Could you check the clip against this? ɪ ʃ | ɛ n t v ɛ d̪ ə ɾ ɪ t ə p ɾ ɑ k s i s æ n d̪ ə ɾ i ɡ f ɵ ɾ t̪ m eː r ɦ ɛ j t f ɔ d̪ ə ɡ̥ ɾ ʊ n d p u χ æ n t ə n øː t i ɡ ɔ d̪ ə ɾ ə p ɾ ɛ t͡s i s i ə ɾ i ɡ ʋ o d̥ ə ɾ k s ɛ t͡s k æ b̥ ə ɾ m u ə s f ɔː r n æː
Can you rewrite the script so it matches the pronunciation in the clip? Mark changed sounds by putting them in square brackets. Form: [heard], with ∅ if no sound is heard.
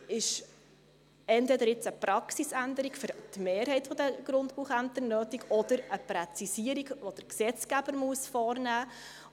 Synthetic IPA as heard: ɪ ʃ | ɛ n t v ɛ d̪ ə ɾ ɪ [t͡s] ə p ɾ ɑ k s i s æ n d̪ ə ɾ i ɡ f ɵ ɾ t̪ m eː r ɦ ɛ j t f ɔ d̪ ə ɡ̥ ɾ ʊ n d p u χ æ n t ə n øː t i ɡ ɔ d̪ ə ɾ ə p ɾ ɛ t͡s i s i ə ɾ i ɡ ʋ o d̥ ə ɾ k s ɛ t͡s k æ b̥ ə ɾ m u ə s f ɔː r n æː

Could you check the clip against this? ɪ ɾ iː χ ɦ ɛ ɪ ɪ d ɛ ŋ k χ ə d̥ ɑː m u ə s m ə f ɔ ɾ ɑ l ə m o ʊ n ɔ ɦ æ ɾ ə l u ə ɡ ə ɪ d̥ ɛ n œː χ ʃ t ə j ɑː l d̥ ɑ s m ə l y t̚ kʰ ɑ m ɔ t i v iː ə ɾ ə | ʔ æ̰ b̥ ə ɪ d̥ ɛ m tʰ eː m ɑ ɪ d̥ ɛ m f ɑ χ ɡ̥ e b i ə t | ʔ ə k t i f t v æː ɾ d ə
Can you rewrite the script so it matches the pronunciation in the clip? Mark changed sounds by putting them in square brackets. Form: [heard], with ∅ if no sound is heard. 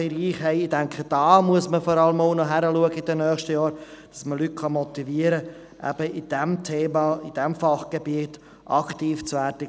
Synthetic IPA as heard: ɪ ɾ iː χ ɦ ɛ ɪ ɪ d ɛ ŋ k χ ə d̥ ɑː m u ə s m ə f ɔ ɾ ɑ l ə m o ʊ n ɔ ɦ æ ɾ ə l u ə ɡ ə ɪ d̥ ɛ n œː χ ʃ t ə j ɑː [ɾ] d̥ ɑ s m ə l y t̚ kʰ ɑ m ɔ t i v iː ə ɾ ə | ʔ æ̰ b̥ ə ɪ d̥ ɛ m tʰ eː m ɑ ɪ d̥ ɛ m f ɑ χ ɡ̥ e b i ə t | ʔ [ɑ] k t [iː] f [t͡s] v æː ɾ d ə

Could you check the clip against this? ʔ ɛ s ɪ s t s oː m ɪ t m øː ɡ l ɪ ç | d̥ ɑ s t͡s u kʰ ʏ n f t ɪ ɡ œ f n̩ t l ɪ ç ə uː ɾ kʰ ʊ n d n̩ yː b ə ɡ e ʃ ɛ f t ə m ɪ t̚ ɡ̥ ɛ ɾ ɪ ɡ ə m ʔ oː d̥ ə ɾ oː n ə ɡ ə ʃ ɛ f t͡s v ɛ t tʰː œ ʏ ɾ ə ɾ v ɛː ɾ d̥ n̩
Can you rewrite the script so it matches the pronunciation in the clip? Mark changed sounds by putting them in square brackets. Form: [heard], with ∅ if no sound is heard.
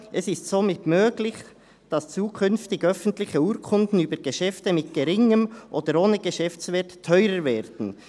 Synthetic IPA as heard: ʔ ɛ s ɪ s t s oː m ɪ t m øː ɡ l ɪ ç | d̥ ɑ s t͡s [uː] kʰ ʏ n f t ɪ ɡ œ f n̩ t l ɪ ç ə uː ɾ kʰ ʊ n d n̩ yː b ə ɡ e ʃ ɛ f t ə m ɪ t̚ ɡ̥ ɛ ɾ ɪ [ŋ] ə m ʔ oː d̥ ə ɾ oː n ə ɡ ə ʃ ɛ f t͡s v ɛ t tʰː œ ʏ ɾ ə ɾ v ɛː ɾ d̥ n̩

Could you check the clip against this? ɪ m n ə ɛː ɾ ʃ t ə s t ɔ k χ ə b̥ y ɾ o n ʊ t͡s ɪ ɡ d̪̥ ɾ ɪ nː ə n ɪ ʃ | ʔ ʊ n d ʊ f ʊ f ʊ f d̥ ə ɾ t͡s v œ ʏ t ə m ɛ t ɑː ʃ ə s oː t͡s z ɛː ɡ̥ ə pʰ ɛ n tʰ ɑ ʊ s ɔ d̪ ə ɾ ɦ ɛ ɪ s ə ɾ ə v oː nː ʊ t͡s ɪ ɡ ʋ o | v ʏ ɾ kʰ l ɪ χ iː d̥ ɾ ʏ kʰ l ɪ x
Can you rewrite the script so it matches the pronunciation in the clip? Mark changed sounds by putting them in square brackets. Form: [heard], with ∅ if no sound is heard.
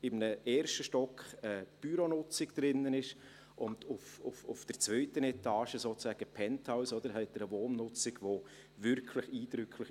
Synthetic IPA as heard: ɪ m n ə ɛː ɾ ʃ t ə [ʃ] t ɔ k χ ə b̥ y ɾ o n ʊ t͡s ɪ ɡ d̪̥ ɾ ɪ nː ə n ɪ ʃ | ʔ ʊ n d ʊ f ʊ f ʊ f d̥ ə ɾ t͡s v œ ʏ t ə [n] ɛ t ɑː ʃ ə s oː t͡s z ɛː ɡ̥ ə pʰ ɛ n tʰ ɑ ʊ s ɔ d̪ ə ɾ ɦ ɛ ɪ [t] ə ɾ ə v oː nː ʊ t͡s ɪ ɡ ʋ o | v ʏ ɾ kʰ l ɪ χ iː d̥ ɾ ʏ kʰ l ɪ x

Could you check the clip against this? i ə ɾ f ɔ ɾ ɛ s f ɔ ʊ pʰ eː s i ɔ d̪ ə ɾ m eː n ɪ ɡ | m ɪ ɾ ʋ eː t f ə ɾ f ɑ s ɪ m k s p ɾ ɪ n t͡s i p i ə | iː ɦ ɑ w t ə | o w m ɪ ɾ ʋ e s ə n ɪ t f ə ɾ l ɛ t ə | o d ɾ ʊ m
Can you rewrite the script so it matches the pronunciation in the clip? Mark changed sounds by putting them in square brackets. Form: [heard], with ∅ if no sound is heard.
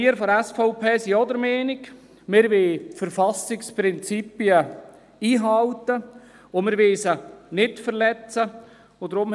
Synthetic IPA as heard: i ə ɾ f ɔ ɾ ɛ s f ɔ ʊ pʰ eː s i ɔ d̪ ə ɾ m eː n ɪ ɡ | m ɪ ɾ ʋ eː t f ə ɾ f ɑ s ɪ [∅] k s p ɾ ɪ n t͡s i p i ə | iː ɦ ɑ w t ə | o [∅] m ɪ ɾ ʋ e s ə n ɪ t f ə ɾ l ɛ [t͡s] ə | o d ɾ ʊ m

